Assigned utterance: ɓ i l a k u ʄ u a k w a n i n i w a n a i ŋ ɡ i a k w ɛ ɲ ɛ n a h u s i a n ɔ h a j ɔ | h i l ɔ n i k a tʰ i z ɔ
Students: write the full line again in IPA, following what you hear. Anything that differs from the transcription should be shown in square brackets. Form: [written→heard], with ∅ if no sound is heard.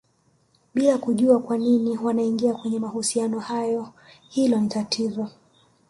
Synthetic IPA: ɓ i l a k u ʄ u a k w a n i n i w a n a i ŋ ɡ i a k w ɛ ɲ ɛ [n→m] a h u s i a n ɔ h a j ɔ | h i l ɔ n i [k→t] a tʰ i z ɔ

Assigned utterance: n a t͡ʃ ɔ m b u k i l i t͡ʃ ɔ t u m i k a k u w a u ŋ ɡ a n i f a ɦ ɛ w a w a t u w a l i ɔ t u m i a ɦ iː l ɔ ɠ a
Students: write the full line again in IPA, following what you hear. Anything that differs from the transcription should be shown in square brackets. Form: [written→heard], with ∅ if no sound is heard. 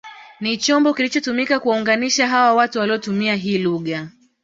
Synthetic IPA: n [a→i] t͡ʃ ɔ m b [u→ɔ] k i l i t͡ʃ ɔ t u m i k a k u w a u ŋ ɡ a n i [f→ʃ] a ɦ [ɛ→a] w a w a t u w a l i ɔ t u m i a ɦ iː l [ɔ→u] ɠ a

